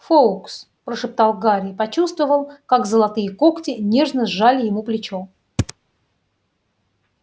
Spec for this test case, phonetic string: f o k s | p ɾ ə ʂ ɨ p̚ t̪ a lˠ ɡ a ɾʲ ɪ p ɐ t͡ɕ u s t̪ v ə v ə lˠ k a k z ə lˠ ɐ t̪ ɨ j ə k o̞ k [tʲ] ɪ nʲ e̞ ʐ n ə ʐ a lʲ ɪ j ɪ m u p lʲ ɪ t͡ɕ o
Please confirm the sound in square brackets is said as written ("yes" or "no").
yes